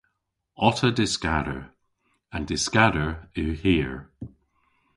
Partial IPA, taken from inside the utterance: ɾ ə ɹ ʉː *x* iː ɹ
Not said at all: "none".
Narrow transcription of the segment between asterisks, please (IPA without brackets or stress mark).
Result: h